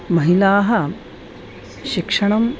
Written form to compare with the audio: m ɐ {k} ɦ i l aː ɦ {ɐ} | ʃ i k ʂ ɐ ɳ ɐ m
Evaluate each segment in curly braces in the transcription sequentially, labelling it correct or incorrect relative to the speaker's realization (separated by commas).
incorrect, correct